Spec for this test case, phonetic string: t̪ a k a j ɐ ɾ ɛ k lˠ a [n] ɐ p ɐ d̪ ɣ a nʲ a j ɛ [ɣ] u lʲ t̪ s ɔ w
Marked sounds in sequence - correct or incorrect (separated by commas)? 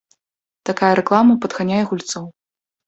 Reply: incorrect, correct